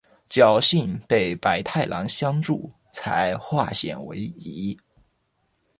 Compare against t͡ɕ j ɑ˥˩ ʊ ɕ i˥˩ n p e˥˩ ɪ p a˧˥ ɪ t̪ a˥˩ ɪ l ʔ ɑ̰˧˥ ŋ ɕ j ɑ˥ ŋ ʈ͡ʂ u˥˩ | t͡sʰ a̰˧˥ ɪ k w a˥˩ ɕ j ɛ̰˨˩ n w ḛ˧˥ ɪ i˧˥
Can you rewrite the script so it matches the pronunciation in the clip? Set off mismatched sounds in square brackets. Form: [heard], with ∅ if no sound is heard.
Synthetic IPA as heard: t͡ɕ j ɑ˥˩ ʊ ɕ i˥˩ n p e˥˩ ɪ p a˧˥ ɪ [t̪ʰ] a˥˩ ɪ l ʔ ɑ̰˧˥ ŋ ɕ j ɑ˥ ŋ ʈ͡ʂ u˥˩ | t͡sʰ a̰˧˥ ɪ [x] w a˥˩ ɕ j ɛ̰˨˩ n w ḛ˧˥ ɪ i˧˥